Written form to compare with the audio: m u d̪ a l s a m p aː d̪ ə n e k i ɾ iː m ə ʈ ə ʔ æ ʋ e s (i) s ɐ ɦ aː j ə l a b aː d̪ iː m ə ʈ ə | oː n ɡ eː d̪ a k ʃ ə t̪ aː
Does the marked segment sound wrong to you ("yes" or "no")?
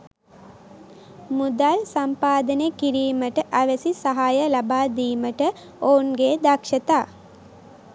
no